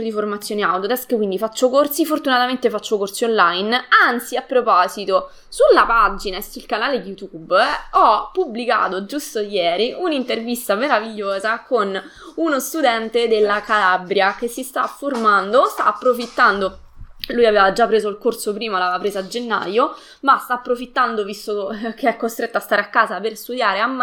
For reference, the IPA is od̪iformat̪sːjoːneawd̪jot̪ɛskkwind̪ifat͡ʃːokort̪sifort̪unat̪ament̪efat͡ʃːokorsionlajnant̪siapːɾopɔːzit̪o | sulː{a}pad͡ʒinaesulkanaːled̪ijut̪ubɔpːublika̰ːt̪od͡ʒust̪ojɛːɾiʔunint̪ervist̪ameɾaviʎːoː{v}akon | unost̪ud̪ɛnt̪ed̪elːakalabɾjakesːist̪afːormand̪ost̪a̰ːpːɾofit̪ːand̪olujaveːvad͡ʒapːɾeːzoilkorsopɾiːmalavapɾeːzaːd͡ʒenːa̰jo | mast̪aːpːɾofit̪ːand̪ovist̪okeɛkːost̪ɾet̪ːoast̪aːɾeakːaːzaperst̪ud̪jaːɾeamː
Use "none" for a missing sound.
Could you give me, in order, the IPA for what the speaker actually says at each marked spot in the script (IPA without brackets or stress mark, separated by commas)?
a, z